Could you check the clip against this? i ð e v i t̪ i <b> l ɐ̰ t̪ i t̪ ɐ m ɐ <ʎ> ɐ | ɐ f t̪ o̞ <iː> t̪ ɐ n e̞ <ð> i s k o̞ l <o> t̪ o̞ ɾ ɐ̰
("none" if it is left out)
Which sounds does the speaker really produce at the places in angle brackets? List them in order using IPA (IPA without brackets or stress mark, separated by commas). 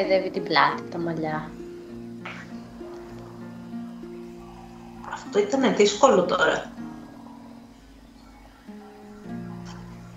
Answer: b, ʎ, i, ð, o